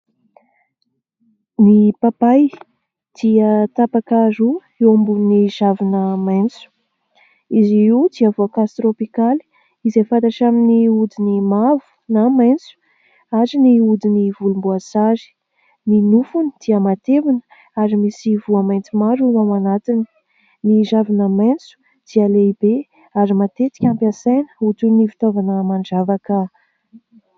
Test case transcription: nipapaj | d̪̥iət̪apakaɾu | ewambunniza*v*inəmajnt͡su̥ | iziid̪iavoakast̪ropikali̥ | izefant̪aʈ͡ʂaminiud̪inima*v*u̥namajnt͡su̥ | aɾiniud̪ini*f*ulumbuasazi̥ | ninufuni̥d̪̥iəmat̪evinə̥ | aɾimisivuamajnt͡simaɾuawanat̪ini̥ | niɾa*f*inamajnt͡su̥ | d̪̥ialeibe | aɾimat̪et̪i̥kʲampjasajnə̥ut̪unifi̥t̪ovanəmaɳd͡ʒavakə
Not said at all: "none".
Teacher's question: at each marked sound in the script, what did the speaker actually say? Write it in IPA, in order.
v, v, v, v

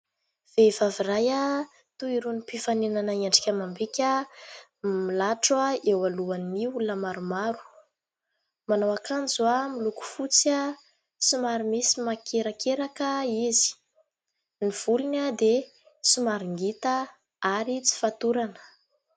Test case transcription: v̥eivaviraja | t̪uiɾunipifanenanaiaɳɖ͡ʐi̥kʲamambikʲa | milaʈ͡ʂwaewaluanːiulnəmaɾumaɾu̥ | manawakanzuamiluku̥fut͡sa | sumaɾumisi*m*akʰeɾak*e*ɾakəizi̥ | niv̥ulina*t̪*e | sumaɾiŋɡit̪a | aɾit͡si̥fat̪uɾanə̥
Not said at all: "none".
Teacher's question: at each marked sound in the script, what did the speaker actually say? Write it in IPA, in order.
m, e, d̪

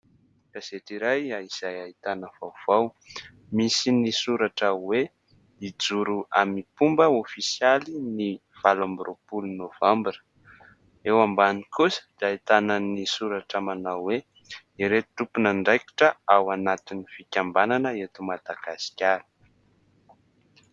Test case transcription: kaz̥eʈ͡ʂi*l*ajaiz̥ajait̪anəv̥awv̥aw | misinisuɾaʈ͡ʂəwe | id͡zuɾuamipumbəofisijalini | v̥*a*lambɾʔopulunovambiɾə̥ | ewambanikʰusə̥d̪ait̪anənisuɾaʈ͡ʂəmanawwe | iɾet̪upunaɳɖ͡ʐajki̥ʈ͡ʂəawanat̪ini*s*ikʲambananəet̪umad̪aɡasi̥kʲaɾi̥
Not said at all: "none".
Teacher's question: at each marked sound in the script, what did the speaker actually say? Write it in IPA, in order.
ɾ, a, f

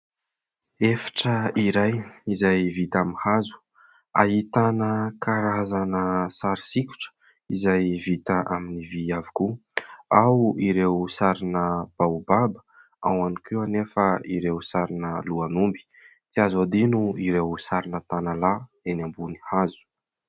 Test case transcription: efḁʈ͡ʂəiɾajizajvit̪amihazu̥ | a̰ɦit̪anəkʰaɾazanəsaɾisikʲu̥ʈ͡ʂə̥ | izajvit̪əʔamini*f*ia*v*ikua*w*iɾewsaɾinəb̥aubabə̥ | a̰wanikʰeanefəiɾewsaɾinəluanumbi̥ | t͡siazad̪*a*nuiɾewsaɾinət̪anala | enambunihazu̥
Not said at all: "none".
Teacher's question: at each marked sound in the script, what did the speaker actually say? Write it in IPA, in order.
v, v, w, i

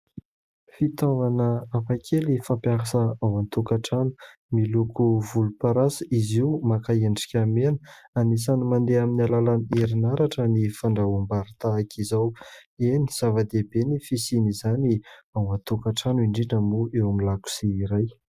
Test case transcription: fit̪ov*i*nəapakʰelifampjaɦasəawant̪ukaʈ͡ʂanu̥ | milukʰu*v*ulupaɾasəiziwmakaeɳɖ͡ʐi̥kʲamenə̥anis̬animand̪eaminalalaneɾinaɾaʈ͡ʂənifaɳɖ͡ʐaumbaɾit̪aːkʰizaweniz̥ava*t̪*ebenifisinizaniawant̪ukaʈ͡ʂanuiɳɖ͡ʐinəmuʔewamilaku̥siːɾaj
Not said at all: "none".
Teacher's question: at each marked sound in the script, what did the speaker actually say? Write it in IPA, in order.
a, v, d̪

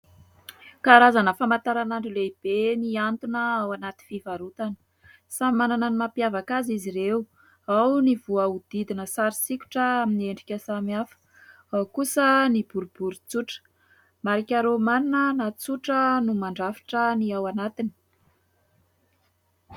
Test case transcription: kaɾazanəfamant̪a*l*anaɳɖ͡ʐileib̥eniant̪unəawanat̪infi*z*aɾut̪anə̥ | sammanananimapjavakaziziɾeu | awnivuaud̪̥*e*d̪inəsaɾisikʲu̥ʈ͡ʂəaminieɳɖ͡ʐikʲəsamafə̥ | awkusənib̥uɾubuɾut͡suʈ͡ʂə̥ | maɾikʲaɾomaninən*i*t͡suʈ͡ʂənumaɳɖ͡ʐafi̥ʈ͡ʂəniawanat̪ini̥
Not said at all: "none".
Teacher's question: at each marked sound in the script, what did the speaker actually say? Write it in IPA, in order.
ɾ, v, i, a

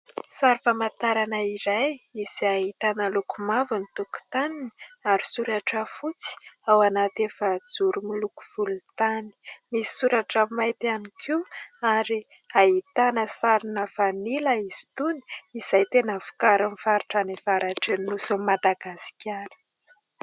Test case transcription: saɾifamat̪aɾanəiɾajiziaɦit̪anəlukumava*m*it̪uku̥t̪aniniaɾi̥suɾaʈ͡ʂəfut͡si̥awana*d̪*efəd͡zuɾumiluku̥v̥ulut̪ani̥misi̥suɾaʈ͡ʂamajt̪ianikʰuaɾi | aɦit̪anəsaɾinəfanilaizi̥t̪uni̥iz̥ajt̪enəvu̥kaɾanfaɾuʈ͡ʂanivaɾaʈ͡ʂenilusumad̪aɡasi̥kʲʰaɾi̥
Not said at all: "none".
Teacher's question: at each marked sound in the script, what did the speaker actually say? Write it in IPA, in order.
n, t̪

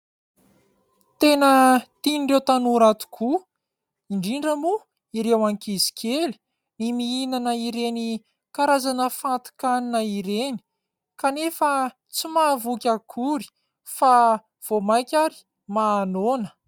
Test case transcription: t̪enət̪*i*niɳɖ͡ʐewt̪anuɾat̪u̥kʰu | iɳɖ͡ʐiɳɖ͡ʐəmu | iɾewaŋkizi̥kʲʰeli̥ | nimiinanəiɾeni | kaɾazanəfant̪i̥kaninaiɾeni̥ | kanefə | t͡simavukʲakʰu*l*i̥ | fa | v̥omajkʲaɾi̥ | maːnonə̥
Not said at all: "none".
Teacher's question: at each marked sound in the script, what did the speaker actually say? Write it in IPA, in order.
i, ɾ

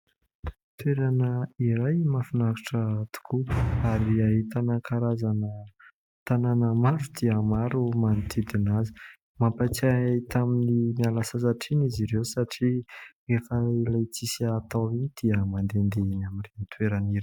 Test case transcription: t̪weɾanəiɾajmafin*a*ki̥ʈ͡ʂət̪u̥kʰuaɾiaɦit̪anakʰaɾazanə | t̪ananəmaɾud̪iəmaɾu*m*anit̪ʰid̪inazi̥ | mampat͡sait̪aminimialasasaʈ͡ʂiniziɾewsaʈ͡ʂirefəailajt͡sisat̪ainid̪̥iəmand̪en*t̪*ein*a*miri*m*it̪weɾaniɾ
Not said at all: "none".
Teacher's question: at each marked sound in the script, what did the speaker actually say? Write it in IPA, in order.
a, m, d̪, a, n

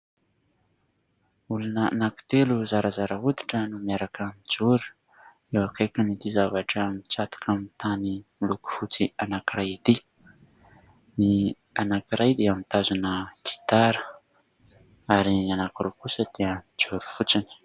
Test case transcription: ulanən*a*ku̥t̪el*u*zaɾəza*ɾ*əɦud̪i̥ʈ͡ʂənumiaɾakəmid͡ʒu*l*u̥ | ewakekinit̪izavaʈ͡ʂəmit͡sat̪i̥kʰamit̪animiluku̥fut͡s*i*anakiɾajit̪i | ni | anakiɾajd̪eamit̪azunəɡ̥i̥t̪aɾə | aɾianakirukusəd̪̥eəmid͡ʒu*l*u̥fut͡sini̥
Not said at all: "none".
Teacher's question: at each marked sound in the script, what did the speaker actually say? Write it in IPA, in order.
a, u, ɾ, ɾ, i, ɾ

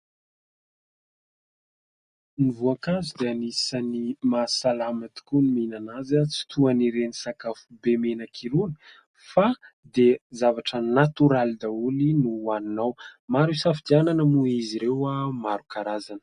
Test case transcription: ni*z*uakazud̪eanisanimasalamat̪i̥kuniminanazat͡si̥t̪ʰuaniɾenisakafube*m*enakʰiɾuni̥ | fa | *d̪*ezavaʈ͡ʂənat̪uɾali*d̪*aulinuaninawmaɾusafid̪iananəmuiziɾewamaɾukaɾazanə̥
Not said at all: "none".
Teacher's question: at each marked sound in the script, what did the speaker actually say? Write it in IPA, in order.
v, m, d̪, d̪

